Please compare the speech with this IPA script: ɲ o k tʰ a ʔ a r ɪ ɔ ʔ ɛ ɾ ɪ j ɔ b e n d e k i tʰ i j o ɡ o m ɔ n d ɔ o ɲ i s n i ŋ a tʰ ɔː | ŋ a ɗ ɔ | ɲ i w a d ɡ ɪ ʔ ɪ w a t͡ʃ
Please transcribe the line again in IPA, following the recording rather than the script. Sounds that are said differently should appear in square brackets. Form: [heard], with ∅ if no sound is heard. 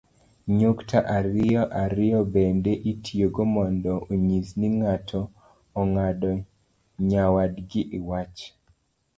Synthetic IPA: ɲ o k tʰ a ʔ a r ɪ ɔ ʔ [a] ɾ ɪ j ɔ b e n d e [ʔ] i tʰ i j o ɡ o m ɔ n d ɔ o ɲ i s n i ŋ a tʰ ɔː | ŋ a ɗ ɔ | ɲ [a] w a d ɡ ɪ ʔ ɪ w a t͡ʃ